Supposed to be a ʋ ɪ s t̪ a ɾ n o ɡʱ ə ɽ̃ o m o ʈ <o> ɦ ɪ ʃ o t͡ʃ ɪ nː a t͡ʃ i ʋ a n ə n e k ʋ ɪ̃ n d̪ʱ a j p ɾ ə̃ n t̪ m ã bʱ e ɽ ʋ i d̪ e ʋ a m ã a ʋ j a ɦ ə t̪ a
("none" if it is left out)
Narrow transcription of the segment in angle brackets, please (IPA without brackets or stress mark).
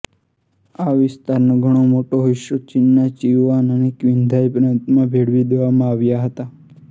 o